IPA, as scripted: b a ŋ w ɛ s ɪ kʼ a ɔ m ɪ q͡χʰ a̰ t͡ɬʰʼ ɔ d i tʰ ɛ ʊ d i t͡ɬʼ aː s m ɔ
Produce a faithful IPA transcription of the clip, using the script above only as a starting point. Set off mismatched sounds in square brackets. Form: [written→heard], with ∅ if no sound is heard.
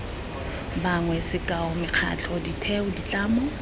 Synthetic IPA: b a ŋ w ɛ s ɪ kʼ a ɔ m ɪ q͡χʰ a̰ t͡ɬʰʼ ɔ d i tʰ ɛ ʊ d i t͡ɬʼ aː [s→∅] m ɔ